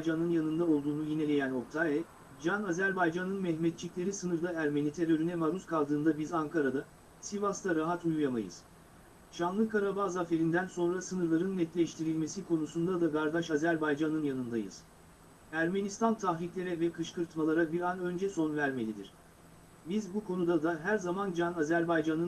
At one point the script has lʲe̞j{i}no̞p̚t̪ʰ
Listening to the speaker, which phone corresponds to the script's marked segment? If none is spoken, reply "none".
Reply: æ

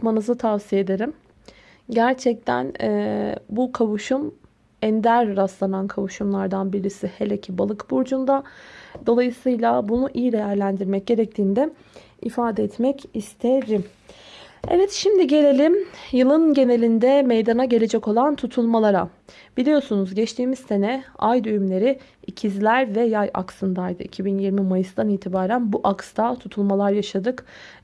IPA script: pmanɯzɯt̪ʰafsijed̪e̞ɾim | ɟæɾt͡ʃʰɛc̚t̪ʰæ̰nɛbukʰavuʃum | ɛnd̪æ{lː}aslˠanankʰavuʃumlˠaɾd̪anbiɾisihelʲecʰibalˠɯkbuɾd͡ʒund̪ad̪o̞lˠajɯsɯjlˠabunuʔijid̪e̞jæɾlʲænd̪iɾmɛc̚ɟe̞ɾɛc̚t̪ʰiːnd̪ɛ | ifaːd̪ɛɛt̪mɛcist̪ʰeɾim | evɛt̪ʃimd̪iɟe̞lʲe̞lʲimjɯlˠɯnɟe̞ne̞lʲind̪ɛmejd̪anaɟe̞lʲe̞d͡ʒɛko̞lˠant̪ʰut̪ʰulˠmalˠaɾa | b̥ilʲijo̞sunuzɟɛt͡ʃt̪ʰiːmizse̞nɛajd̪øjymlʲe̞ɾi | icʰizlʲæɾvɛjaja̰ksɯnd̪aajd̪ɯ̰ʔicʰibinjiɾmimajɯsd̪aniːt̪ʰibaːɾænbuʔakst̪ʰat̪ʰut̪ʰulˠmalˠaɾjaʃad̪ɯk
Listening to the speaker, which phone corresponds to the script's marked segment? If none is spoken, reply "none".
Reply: ɾː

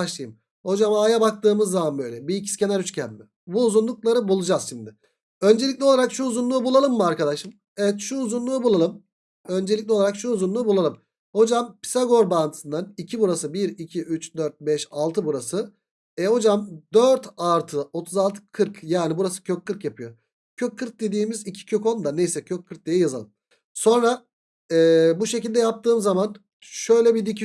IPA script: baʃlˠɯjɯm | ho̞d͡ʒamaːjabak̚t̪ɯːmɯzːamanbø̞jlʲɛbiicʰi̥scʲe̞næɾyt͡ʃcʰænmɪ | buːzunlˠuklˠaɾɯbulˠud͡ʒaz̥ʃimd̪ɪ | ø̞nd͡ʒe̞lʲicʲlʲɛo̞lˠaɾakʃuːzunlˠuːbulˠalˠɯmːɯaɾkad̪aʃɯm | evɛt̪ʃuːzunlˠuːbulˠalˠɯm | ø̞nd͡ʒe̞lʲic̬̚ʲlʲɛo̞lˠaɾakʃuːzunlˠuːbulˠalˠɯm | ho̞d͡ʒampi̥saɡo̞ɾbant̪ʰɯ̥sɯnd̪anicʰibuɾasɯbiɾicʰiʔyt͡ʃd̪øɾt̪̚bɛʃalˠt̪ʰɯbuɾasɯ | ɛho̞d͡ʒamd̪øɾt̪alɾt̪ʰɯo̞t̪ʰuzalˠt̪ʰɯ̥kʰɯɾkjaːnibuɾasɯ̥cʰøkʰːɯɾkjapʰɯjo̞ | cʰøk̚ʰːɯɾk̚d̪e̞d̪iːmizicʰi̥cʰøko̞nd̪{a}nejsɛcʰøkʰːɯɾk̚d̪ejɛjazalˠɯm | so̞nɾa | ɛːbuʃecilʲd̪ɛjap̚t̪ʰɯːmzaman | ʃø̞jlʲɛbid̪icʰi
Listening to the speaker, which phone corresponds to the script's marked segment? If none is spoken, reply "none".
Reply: a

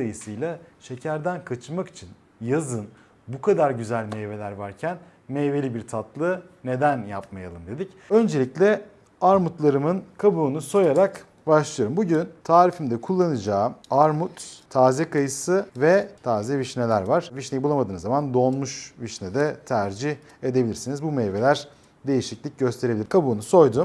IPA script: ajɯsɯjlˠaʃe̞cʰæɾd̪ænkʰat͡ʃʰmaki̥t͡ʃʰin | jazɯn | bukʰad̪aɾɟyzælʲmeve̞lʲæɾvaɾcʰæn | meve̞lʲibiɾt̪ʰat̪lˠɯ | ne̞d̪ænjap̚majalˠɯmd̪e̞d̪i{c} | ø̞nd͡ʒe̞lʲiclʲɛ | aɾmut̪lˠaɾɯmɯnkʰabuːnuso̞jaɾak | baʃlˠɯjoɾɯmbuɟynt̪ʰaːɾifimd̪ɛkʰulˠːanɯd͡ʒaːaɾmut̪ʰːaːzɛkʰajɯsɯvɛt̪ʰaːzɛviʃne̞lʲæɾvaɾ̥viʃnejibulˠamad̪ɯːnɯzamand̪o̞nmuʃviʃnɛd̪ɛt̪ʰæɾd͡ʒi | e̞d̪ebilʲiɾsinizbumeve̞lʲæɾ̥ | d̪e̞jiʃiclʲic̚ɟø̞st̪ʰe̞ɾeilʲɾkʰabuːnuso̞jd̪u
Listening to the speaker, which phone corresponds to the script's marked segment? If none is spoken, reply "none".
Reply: c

